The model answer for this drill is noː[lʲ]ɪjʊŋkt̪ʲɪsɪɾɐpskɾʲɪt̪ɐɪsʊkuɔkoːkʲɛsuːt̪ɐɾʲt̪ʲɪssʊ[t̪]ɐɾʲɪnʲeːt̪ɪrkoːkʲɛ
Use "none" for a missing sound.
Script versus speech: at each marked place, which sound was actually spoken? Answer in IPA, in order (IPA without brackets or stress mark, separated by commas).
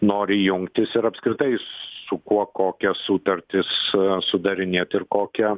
ɾʲ, d̪